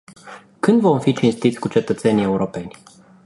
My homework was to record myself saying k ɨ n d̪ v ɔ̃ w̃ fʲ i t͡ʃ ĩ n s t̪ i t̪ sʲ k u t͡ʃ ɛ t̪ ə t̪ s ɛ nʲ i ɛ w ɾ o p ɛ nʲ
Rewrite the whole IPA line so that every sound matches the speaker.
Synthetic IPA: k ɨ n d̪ v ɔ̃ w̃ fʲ i t͡ʃ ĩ n s t̪ i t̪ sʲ k u t͡ʃ ɛ t̪ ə t̪ s ɛ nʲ i ɛ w ɾ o p ɛ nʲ